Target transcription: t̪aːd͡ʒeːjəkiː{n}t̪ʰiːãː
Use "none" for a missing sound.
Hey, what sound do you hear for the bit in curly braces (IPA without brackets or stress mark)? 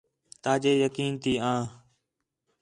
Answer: n